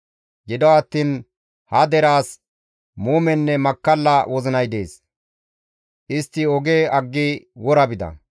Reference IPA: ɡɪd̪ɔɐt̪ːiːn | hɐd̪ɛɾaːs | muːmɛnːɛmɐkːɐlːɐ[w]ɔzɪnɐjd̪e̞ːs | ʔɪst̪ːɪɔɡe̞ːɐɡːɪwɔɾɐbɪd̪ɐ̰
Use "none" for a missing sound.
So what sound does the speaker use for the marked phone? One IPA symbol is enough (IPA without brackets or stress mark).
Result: w